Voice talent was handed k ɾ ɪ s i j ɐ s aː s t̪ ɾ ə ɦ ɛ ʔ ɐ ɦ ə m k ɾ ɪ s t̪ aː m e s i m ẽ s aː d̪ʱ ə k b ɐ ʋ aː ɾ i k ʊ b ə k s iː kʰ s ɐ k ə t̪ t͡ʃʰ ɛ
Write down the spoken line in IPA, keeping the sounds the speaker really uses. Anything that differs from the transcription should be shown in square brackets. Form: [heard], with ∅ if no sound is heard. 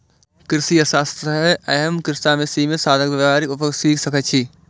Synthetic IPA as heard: k ɾ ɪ s i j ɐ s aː s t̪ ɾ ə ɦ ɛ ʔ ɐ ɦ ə m k ɾ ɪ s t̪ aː m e s i m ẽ s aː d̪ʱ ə k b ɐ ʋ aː ɾ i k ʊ [p] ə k s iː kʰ s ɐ k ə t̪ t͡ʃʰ [i]